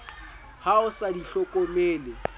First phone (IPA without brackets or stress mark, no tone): h